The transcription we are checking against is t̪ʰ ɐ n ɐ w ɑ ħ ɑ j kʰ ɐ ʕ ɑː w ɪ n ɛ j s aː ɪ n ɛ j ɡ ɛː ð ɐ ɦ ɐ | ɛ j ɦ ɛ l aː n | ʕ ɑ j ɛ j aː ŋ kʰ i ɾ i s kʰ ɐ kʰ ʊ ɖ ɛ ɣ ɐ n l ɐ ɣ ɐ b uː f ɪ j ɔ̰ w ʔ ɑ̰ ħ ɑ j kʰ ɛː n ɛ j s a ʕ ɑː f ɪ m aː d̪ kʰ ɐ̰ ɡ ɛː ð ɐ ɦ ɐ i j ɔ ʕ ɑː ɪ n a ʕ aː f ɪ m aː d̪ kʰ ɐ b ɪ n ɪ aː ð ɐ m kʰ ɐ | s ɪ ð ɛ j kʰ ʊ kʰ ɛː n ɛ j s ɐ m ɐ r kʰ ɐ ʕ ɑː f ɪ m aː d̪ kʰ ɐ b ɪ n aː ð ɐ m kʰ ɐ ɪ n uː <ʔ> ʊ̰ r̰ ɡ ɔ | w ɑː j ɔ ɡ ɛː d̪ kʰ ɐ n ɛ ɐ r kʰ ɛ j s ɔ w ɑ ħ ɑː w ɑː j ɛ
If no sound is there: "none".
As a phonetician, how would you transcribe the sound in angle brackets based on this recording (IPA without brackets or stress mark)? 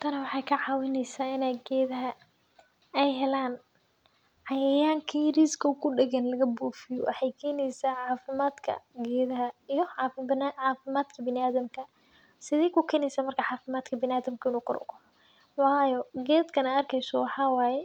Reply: q